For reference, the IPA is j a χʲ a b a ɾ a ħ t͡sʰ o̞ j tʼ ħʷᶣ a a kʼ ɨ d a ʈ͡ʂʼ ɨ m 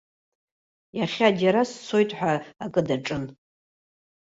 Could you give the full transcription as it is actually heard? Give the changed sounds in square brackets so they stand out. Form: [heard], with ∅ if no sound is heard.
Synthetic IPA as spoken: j a χʲ a [d] a ɾ a [s] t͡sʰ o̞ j tʼ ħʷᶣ a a kʼ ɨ d a ʈ͡ʂʼ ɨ [n]